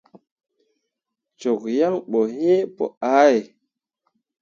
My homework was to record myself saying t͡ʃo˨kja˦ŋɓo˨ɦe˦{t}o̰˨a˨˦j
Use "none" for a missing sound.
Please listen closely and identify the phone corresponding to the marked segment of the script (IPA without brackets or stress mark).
p